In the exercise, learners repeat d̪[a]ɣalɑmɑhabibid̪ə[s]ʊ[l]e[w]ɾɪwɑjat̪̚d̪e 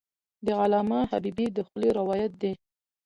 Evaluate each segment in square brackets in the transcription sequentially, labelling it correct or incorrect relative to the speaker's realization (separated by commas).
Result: incorrect, incorrect, correct, incorrect